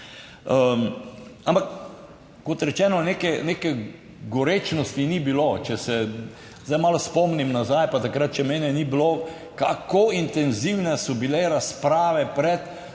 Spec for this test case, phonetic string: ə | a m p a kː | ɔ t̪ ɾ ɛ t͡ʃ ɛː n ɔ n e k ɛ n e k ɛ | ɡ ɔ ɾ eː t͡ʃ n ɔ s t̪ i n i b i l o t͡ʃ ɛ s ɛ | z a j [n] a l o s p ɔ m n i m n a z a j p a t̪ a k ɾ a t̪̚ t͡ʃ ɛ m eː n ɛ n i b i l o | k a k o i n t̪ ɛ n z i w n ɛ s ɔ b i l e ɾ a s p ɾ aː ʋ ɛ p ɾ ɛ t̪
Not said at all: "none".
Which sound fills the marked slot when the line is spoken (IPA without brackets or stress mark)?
m